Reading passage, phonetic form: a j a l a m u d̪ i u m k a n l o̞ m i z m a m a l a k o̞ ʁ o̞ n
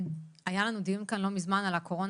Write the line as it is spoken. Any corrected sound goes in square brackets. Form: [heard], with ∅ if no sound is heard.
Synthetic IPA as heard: a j a l a [n] u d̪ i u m k a n l o̞ m i z m a [n] a l a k o̞ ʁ o̞ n